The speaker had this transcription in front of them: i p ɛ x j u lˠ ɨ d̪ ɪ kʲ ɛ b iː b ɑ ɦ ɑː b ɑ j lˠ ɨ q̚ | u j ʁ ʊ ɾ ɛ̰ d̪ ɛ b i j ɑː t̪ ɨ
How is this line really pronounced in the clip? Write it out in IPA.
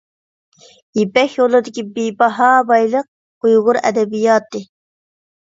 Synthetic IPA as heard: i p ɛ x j o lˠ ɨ d̪ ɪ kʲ i b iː b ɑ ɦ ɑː b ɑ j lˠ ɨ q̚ | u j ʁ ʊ ɾ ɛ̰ d̪ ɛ b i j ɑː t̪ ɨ